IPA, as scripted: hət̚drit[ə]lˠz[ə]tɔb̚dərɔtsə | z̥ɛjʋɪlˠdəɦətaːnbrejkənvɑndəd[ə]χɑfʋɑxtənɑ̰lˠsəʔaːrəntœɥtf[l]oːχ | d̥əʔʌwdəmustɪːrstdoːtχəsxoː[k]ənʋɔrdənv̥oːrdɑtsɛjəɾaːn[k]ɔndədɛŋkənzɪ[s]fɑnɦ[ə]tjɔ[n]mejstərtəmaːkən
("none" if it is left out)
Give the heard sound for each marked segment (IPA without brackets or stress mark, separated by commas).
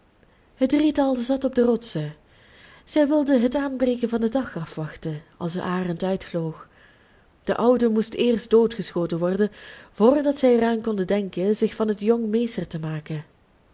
ɑ, ɑ, ɑ, l, t, k, x, ə, ŋ